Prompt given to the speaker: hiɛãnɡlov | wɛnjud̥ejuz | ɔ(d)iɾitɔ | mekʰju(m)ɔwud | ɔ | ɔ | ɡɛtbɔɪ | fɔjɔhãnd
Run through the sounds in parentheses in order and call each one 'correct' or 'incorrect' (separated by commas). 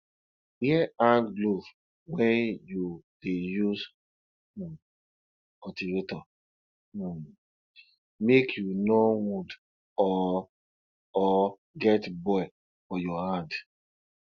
incorrect, incorrect